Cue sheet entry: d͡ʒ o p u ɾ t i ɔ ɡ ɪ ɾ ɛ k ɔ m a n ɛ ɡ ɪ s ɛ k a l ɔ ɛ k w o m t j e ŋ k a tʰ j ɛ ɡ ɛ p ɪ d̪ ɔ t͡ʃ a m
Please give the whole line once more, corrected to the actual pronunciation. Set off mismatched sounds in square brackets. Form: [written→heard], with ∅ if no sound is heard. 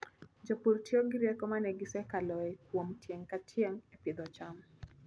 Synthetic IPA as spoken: d͡ʒ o p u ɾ t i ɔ ɡ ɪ ɾ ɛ k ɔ m a n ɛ ɡ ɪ s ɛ k a l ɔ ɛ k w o m t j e ŋ k a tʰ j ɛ [ɡ→ŋ] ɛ p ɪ d̪ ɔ t͡ʃ a m